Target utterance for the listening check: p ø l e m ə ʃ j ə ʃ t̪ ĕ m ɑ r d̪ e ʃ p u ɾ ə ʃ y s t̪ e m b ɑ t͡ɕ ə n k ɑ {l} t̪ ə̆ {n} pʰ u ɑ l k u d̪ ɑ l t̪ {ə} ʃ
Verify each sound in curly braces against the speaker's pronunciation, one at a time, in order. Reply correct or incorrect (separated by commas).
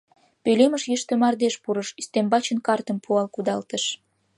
incorrect, incorrect, correct